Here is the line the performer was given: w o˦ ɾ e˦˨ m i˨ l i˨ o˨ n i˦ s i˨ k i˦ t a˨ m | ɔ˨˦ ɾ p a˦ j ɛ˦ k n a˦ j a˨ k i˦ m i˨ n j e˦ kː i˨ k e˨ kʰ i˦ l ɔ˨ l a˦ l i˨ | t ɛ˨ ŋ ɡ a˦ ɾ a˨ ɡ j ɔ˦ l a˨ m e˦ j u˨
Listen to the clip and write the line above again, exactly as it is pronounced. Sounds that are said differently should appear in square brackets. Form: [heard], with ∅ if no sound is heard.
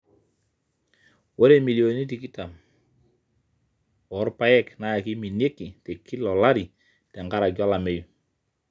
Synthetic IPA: w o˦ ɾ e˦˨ m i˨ l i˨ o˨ n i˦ [t] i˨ k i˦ t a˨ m | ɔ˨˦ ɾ p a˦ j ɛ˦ k n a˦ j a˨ k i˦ m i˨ n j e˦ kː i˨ [t] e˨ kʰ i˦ l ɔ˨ l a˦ [ɾ] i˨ | t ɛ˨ ŋ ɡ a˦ ɾ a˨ ɡ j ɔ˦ l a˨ m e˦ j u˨